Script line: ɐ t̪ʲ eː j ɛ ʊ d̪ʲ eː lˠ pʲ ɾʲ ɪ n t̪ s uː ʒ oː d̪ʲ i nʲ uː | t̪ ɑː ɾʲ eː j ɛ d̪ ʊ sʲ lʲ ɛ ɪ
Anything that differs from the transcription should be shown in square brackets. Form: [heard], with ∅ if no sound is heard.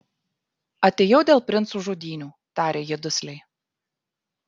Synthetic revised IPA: ɐ t̪ʲ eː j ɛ ʊ d̪ʲ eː lˠ pʲ ɾʲ ɪ n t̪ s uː ʒ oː d̪ʲ [iː] nʲ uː | t̪ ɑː ɾʲ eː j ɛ d̪ ʊ sʲ lʲ ɛ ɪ